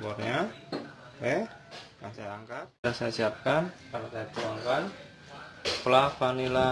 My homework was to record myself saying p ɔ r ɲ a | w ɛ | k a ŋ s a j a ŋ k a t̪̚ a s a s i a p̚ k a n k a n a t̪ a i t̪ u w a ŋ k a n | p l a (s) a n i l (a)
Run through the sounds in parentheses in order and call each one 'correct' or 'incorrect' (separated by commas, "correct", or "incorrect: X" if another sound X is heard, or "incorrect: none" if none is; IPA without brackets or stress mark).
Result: incorrect: f, correct